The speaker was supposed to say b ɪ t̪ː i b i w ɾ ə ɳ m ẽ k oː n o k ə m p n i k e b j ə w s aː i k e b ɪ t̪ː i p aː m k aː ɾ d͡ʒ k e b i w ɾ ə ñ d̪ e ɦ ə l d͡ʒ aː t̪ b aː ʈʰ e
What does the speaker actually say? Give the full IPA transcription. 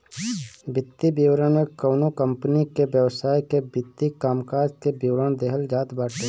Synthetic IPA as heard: b ɪ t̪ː i b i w ɾ ə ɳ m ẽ k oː n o k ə m p n i k e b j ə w s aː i k e b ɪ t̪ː i k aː m k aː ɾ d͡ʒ k e b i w ɾ ə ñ d̪ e ɦ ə l d͡ʒ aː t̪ b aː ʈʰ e

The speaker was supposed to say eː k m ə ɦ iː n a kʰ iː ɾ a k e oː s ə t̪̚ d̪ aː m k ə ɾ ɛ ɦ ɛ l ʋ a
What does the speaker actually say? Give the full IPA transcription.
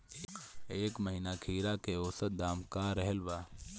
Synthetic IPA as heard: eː k m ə ɦ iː n a kʰ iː ɾ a k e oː s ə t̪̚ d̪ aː m k a ɾ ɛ ɦ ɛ l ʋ a

